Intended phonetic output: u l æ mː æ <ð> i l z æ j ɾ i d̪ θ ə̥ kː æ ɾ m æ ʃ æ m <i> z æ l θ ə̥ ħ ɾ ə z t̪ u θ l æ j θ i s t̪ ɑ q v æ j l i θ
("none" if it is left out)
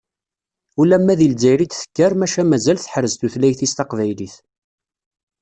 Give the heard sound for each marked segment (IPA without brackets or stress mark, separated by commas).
ð, æ